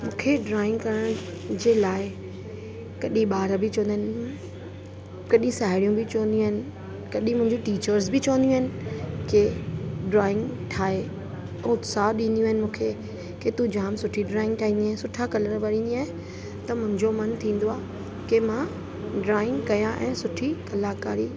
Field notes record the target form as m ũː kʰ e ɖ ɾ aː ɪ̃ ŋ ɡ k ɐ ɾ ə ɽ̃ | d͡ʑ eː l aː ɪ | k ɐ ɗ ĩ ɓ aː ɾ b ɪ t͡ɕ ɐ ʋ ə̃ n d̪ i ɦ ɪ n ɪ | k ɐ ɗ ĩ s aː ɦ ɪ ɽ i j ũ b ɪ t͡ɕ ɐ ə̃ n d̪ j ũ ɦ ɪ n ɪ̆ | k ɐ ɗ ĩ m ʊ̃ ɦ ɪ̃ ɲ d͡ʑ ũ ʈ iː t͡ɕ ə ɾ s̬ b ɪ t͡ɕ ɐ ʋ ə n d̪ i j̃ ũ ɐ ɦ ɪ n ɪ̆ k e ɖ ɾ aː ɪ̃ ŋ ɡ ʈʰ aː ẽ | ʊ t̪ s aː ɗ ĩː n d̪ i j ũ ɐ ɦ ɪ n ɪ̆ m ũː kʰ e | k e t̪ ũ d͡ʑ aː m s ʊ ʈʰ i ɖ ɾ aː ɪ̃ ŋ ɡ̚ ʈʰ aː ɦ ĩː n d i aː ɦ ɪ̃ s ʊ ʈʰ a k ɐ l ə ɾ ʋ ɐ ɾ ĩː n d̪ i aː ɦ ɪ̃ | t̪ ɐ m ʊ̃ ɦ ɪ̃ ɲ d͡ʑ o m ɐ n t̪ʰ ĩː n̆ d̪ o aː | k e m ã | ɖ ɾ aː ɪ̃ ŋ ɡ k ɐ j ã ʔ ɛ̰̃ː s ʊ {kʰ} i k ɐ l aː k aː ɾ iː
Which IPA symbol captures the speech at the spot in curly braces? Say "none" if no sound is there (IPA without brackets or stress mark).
ʈʰ